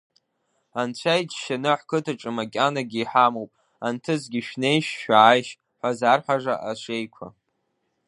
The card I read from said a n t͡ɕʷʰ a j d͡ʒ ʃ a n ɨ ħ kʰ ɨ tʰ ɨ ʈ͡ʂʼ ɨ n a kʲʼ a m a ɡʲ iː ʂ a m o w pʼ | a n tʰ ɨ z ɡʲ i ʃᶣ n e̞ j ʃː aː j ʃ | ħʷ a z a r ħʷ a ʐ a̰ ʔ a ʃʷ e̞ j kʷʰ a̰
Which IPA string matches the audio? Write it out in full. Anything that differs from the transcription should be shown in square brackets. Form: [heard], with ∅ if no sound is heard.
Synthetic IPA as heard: a n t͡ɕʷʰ a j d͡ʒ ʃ a n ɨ ħ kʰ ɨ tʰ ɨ ʈ͡ʂʼ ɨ [m] a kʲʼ a [n] a ɡʲ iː [ħ] a m o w pʼ | a n tʰ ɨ z ɡʲ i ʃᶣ n e̞ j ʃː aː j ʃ | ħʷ a z a r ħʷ a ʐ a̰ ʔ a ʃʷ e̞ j kʷʰ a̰